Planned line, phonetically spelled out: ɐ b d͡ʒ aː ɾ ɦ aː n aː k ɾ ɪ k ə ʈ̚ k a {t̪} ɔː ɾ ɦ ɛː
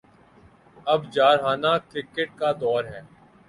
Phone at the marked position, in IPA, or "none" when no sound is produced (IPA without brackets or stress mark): d̪